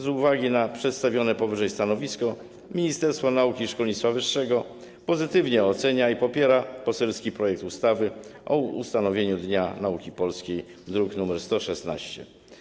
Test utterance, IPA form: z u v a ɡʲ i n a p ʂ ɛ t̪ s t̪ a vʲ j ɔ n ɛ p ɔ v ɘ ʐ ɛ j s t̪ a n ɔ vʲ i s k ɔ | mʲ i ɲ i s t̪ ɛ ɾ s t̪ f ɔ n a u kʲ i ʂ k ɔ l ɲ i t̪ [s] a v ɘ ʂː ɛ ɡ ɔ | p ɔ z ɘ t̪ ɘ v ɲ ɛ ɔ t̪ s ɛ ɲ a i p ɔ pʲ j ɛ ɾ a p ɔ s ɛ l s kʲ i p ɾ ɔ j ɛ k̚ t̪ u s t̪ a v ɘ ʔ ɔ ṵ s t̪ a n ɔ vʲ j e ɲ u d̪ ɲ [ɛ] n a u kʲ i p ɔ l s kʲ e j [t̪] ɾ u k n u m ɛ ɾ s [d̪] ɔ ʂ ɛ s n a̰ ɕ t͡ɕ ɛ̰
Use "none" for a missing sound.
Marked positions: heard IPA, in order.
f, a, d̪, t̪

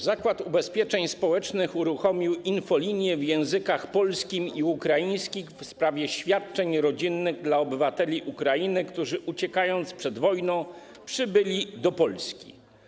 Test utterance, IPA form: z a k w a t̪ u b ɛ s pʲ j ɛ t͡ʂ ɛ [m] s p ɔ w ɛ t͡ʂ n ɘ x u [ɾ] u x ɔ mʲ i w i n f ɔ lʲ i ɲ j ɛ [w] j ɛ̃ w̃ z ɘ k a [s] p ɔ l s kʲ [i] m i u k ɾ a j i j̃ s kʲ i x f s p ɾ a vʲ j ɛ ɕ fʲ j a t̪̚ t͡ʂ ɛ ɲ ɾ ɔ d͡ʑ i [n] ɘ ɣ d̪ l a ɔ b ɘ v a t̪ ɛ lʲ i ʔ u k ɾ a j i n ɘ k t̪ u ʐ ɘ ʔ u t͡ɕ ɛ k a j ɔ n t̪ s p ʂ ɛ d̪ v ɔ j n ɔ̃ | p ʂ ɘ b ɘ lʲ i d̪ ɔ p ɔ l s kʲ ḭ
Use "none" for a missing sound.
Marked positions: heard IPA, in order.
ɲ, ɾ, v, x, i, nː

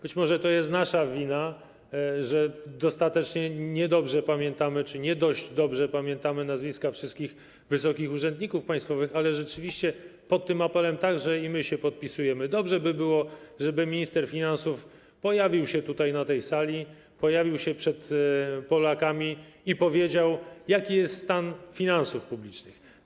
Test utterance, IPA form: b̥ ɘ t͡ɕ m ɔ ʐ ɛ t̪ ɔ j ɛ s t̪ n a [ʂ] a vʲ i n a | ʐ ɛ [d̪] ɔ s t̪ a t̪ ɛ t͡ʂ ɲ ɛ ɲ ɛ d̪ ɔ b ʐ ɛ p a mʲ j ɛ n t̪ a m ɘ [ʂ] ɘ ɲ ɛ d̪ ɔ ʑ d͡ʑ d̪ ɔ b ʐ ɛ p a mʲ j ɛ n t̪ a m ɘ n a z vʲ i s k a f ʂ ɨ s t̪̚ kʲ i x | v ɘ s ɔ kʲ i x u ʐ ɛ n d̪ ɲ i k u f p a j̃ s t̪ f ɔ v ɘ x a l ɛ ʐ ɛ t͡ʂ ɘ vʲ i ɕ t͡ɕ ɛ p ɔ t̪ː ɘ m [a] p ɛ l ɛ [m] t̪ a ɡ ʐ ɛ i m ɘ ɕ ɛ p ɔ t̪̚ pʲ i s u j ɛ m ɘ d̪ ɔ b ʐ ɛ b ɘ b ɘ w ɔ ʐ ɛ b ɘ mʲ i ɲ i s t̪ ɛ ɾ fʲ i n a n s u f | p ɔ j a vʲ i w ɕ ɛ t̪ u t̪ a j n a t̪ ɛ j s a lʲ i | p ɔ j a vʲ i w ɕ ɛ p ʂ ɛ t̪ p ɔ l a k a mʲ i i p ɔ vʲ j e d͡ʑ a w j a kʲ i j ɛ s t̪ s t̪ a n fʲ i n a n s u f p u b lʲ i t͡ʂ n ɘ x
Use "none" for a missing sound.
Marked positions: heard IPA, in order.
ʂ, d̪, t͡ʂ, a, m

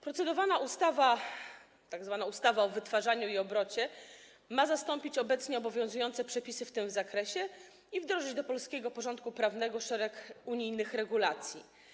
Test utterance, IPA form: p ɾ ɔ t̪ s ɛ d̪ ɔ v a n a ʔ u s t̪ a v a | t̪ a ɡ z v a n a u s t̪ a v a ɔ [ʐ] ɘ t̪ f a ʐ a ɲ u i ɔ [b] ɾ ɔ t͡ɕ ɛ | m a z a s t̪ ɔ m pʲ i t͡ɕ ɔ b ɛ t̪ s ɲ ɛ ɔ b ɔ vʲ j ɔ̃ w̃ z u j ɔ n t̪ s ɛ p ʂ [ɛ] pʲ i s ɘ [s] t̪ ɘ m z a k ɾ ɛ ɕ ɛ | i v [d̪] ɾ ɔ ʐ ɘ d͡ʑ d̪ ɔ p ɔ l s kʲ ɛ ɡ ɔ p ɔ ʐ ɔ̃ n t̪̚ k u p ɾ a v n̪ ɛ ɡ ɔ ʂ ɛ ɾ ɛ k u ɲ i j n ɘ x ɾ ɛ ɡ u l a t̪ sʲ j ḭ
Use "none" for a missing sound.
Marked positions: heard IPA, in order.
v, b, ɛ, f, d̪

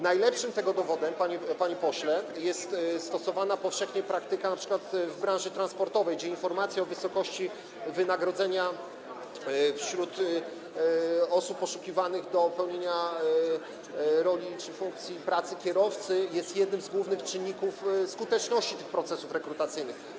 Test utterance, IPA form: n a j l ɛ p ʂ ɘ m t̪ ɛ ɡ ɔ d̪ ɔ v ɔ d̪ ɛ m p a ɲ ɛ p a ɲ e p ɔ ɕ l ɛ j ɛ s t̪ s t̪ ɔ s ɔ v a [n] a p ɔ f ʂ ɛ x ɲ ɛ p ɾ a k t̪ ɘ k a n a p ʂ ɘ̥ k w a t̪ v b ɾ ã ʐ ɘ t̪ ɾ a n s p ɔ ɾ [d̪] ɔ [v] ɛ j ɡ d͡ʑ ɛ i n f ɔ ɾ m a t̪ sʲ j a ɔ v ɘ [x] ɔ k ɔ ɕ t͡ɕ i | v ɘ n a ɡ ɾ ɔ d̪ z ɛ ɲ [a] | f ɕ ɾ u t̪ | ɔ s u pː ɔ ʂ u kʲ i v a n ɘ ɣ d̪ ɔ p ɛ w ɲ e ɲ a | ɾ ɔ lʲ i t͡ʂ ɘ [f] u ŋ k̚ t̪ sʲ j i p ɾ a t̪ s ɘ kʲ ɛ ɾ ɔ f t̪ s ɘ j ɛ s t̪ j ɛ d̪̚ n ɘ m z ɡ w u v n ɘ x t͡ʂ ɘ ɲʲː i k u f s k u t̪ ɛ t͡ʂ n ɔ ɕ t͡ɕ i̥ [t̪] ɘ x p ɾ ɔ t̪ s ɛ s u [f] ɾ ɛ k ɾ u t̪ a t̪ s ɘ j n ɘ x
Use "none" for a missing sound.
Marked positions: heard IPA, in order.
n, t̪, v, s, a, f, t̪, f

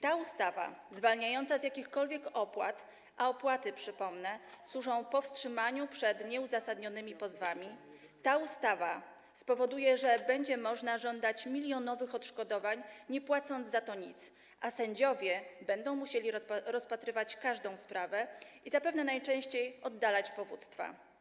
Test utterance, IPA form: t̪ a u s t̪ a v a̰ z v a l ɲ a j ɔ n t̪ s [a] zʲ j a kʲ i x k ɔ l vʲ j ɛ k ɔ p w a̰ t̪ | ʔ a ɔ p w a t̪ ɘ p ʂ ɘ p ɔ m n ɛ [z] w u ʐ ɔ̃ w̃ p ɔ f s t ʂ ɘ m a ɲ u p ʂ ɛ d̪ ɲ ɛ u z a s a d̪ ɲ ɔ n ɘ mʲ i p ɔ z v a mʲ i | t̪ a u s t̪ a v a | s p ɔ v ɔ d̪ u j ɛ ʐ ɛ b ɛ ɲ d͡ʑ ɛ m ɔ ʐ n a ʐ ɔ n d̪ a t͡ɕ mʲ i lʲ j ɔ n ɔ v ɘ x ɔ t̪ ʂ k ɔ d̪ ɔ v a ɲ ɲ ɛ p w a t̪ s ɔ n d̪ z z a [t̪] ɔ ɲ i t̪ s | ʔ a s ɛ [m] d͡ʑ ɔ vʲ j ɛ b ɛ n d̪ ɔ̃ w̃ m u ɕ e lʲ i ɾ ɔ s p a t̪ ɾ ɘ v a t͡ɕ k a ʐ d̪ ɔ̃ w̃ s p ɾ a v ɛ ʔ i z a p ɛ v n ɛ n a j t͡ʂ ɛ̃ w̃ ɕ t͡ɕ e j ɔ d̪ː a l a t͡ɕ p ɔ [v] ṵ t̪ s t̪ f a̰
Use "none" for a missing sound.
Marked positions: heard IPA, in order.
a, s, t̪, ɲ, v

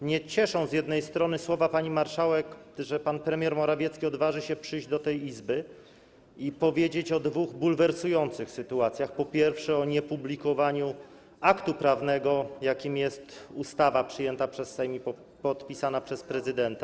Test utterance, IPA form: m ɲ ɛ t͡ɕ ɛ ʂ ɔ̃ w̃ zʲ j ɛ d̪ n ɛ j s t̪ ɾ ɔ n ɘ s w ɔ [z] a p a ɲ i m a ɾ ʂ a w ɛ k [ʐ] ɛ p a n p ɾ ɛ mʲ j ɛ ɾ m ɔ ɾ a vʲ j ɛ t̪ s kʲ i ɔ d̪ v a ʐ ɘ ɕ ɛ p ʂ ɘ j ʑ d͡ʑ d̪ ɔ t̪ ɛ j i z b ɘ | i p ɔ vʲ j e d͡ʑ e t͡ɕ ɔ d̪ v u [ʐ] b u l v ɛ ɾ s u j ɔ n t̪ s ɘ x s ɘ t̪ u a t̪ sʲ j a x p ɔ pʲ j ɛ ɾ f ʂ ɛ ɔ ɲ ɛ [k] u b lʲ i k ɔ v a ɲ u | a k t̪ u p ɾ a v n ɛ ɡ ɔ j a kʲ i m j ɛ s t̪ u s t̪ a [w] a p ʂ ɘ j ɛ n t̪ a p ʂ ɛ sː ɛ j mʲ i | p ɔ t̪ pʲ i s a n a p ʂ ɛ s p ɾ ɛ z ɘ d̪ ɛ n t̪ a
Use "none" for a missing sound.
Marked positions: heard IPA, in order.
v, ʐ, ɣ, p, v

